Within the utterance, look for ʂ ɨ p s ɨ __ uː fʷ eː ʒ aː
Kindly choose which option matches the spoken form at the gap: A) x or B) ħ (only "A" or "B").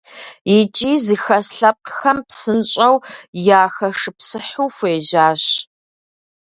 B